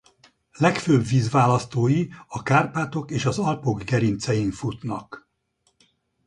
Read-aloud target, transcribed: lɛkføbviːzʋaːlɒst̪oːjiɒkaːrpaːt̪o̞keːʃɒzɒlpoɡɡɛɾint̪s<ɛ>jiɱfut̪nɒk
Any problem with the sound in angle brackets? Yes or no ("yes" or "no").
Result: no